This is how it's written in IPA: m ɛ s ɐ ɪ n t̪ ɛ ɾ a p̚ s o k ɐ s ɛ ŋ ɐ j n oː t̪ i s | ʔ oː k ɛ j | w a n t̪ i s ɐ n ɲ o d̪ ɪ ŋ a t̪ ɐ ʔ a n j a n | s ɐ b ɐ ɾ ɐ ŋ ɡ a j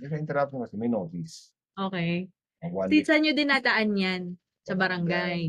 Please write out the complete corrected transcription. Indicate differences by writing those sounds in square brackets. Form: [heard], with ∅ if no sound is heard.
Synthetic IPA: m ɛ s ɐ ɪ n t̪ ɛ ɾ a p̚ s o k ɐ s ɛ [m] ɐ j n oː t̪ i s | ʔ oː k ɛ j | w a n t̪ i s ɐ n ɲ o d̪ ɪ [n] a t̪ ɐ ʔ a n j a n | s ɐ b ɐ ɾ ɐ ŋ ɡ a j